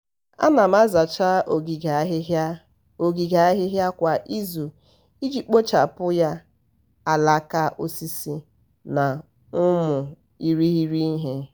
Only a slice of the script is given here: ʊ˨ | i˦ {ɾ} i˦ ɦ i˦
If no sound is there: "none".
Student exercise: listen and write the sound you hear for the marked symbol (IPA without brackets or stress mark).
ɾ